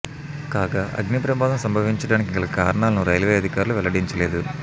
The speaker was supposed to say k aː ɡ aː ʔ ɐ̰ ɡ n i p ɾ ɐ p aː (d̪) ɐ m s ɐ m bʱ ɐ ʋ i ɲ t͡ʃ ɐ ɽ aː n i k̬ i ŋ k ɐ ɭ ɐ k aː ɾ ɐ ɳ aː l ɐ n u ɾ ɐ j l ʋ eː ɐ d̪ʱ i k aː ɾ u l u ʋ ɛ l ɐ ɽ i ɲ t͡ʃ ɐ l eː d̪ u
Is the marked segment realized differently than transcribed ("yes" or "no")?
no